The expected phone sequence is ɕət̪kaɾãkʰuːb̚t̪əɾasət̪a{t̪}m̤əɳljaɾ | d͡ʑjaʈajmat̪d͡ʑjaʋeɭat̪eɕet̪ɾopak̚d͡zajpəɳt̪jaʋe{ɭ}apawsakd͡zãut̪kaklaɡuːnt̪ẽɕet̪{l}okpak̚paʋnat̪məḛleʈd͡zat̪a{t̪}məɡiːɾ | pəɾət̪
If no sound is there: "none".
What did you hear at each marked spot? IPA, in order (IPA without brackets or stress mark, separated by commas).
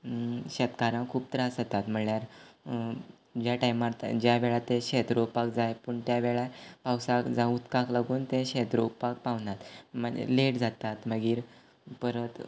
t̪, ɭ, ɾ, t̪